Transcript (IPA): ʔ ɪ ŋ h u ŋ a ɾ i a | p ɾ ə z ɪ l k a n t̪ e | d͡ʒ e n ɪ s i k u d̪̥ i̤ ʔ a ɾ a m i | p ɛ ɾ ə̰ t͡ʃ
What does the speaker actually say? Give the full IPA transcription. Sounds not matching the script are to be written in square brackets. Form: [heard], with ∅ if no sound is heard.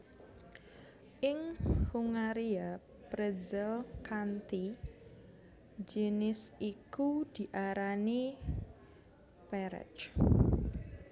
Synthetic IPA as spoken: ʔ ɪ ŋ h u ŋ a ɾ i a | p ɾ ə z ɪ l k a n t̪ [i] | d͡ʒ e n ɪ s i k u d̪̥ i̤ ʔ a ɾ a [n] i | p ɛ ɾ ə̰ t͡ʃ

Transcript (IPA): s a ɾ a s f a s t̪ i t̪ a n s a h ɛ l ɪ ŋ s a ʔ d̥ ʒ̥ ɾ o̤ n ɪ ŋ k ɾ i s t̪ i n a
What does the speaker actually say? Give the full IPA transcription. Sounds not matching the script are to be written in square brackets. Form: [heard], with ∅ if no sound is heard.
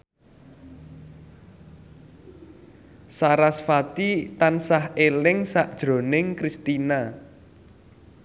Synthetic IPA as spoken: s a ɾ a s f a [∅] t̪ i t̪ a n s a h [e] l ɪ ŋ s a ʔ d̥ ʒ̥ ɾ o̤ n ɪ ŋ k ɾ i s t̪ i n a

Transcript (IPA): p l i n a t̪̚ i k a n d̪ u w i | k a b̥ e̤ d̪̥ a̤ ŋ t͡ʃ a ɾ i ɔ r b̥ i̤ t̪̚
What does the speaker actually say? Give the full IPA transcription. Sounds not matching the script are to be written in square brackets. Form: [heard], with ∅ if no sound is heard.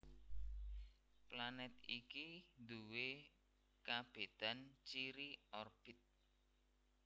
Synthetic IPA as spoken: p l [a] n [ɛ] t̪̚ i k [i] n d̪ u w [e] | k a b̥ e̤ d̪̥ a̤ [n] t͡ʃ [i] ɾ i ɔ r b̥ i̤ t̪̚

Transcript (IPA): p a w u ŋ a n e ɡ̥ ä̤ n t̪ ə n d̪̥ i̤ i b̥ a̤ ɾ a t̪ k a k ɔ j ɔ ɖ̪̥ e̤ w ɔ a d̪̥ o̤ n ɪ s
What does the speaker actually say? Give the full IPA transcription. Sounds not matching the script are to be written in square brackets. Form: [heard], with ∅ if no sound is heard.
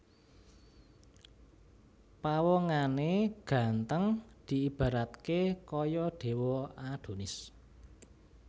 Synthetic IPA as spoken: p a w [ɔ] ŋ a n e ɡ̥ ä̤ n t̪ ə [ŋ] d̪̥ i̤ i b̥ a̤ ɾ a t̪ k [e] k ɔ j ɔ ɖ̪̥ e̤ w ɔ a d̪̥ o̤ n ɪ s

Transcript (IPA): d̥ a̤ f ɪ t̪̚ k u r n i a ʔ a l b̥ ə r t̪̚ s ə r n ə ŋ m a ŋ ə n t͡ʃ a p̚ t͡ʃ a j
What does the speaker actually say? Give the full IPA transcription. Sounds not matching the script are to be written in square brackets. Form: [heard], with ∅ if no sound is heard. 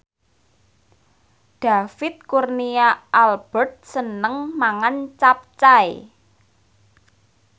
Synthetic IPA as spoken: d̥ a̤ f ɪ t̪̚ k u r n i a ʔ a l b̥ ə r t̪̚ s ə [∅] n ə ŋ m a ŋ [a] n t͡ʃ a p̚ t͡ʃ a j

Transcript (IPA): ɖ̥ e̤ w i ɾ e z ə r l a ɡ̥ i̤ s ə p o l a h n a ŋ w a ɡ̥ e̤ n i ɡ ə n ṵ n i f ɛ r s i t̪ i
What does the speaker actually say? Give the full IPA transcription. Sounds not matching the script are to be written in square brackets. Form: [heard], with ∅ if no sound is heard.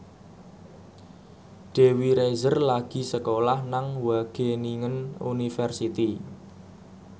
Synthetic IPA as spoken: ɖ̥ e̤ w i ɾ e z ə r l a ɡ̥ i̤ s ə [k] o l a h n a ŋ w a ɡ̥ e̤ n i [ŋ] ə n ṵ n i f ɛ r s i t̪ i

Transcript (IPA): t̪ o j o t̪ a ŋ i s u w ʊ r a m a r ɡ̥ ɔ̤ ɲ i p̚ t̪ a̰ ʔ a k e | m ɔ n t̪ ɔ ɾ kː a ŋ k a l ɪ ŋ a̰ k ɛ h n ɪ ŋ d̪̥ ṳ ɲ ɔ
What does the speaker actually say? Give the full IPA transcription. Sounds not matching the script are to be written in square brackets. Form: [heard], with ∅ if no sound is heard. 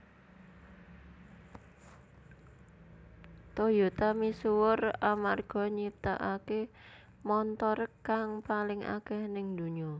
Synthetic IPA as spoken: t̪ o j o t̪ a [m] i s u w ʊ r a m a r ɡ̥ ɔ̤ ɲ i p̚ t̪ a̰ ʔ a k e | m ɔ n t̪ ɔ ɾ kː a ŋ [p] a l ɪ ŋ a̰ k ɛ h n ɪ ŋ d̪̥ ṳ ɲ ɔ

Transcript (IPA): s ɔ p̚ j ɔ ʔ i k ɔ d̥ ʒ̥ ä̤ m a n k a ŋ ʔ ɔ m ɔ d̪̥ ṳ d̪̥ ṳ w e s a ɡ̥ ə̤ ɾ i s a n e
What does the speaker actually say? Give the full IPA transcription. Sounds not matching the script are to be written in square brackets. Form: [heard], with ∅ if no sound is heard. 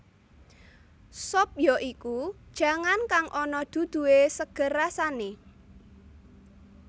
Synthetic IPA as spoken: s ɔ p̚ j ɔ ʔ i k [u] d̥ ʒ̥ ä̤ [ŋ] a n k a ŋ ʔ ɔ [n] ɔ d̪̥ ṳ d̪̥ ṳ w e s [ə] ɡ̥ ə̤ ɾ [a] s a n e

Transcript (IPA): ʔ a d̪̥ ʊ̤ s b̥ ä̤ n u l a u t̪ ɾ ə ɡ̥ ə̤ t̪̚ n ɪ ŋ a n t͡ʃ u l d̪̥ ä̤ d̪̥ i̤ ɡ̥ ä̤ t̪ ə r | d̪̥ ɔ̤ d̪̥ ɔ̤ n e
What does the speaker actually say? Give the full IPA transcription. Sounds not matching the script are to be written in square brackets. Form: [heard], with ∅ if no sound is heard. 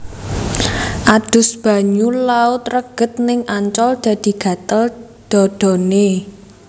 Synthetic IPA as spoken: ʔ a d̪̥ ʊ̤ s b̥ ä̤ [ɲ] u l a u t̪ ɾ ə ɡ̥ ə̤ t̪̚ n ɪ ŋ a [ɲ] t͡ʃ [ɔ] l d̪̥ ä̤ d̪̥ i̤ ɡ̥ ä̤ t̪ ə [l] | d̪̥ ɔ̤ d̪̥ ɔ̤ n e

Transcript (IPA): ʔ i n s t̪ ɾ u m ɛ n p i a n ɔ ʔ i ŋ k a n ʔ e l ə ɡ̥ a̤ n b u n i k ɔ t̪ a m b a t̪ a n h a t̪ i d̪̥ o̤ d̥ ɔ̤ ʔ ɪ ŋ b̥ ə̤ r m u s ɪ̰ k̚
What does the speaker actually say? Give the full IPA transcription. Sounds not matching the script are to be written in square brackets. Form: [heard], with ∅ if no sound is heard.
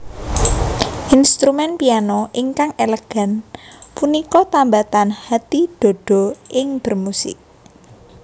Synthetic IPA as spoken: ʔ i n s t̪ ɾ u m ɛ n p i a n ɔ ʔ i ŋ k a [ŋ] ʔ e l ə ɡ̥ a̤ n [p] u n i k ɔ t̪ a m b a t̪ a n h a t̪ i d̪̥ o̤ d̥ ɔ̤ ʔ ɪ ŋ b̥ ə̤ r m u s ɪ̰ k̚

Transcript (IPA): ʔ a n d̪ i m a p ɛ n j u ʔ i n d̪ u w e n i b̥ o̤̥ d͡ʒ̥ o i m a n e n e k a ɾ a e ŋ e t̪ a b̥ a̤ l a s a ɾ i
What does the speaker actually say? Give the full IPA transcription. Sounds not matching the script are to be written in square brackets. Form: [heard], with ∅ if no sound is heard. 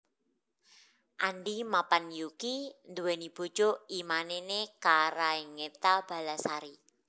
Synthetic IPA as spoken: ʔ a n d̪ i m a p [a] n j u [k] i n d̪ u w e n i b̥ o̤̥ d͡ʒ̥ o i m a n e n e k a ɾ a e ŋ e t̪ a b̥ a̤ l a s a ɾ i

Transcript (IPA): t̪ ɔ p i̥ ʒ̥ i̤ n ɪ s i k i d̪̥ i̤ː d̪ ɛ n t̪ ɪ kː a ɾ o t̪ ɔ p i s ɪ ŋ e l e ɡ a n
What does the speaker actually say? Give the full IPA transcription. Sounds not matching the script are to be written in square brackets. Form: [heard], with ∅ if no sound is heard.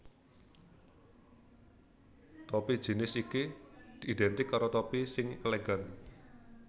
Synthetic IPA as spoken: t̪ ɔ p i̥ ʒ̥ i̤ n ɪ s i k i d̪̥ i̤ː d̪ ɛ n t̪ ɪ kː a ɾ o t̪ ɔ p i s ɪ ŋ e l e ɡ a n

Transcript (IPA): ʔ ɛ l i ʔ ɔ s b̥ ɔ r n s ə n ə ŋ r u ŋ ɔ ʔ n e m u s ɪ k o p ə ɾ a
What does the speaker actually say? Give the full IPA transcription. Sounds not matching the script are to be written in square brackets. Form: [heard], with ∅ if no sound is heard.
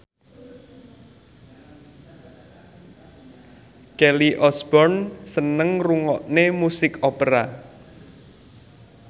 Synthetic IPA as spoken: [k] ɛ l i ʔ ɔ s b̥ ɔ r n s ə n ə ŋ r u ŋ ɔ ʔ n e m u s ɪ k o p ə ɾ a

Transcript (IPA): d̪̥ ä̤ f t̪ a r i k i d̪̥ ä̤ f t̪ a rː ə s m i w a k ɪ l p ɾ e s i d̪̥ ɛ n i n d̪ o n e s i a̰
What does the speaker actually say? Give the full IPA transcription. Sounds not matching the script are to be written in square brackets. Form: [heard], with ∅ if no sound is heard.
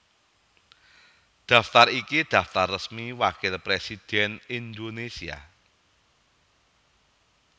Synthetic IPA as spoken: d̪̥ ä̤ f t̪ a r i k i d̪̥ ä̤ f t̪ a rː ə s m i w a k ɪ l p ɾ e s i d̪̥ ɛ n i n d̪ o n e s i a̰

